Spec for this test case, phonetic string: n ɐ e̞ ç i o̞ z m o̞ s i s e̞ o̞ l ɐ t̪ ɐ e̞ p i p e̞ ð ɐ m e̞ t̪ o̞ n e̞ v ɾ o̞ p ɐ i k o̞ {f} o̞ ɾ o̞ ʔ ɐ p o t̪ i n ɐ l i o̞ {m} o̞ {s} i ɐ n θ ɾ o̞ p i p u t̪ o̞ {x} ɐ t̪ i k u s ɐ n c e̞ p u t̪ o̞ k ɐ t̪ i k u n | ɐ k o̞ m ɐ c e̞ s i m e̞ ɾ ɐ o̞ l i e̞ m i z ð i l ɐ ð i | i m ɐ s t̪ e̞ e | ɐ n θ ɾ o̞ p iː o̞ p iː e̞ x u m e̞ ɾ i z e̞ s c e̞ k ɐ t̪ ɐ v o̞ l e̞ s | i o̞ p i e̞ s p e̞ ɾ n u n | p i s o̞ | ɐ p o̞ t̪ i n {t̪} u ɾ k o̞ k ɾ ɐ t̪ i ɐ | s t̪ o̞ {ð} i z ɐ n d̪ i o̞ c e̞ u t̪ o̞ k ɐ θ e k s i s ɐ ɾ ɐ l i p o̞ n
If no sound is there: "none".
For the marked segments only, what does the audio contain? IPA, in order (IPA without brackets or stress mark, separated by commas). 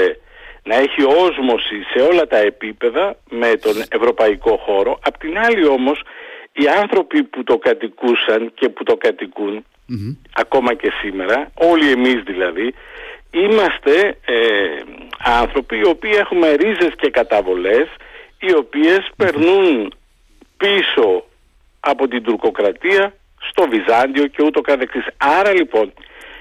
x, m, s, k, d̪, v